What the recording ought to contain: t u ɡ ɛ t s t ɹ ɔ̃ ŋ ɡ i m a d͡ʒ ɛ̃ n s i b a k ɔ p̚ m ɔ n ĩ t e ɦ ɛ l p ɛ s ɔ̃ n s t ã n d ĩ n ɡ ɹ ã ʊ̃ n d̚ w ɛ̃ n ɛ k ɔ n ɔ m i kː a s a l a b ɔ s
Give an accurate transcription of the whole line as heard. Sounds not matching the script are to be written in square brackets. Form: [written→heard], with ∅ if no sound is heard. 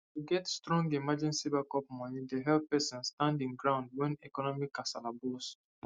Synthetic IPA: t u ɡ ɛ t s t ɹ ɔ̃ ŋ ɡ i m a d͡ʒ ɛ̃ n s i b a k ɔ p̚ m ɔ n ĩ [t→d] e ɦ ɛ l p ɛ s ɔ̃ n s t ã n d ĩ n ɡ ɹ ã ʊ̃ n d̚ w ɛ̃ n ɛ k ɔ n ɔ m i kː a s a l a b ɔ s

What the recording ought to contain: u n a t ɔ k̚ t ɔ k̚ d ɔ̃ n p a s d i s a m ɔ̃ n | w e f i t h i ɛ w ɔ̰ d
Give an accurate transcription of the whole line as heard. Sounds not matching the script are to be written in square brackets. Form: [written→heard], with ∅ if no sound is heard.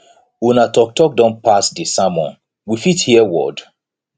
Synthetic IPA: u n a t ɔ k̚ t ɔ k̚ d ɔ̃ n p a s d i s a m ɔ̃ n | w [e→i] f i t h i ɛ w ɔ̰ d

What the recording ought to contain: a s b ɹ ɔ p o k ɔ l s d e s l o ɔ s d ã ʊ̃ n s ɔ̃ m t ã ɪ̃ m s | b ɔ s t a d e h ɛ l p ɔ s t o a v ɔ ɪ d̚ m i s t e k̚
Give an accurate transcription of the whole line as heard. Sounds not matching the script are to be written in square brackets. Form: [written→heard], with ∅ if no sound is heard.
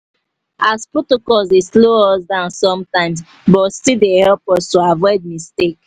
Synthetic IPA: a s [b→p] ɹ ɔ [p→t] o k ɔ l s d e s l o ɔ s d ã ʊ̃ n s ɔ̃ m t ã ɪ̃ m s | b ɔ s t [a→i] d e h ɛ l p ɔ s t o a v ɔ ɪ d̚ m i s t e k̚

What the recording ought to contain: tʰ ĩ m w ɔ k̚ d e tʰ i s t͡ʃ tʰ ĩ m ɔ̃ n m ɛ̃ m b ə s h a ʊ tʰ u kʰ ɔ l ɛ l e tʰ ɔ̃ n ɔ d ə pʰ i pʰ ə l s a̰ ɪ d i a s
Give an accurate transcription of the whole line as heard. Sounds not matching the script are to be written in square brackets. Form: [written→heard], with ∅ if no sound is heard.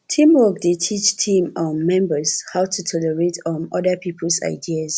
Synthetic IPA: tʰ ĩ m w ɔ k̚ d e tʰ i [s→∅] t͡ʃ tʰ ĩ m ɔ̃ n m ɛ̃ m b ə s h a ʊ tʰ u [kʰ→tʰ] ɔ l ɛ [l→ɹ] e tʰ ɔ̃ n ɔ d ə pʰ i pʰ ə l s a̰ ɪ d i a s

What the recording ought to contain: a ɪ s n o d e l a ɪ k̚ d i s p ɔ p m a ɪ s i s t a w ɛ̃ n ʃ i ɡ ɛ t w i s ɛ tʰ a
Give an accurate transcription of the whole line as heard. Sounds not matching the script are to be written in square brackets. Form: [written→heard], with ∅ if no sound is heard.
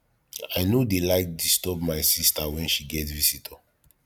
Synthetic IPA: a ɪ [s→∅] n o d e l a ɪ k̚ d i s [p→t] ɔ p m a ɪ s i s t a w ɛ̃ n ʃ i ɡ ɛ t [w→v] i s [ɛ→i] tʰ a

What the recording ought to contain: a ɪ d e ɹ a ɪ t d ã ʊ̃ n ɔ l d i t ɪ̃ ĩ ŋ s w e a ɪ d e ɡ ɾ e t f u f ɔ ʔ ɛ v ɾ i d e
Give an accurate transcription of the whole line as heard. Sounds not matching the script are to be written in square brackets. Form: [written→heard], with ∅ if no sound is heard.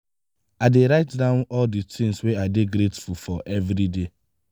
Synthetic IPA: a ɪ d e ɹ a ɪ t d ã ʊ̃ n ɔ l d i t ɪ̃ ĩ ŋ s w e a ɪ d e ɡ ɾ e t f u f ɔ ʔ ɛ v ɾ i d e

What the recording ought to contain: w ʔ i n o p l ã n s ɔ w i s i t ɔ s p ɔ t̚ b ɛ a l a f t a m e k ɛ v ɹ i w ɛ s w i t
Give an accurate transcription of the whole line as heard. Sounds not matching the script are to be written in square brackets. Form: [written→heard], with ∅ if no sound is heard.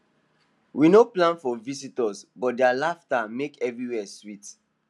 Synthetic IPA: w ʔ i n o p l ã n [s→f] ɔ [w→v] i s i t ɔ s [p→b] ɔ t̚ [b→d] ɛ a l a f t a m e k ɛ v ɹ i w ɛ s w i t

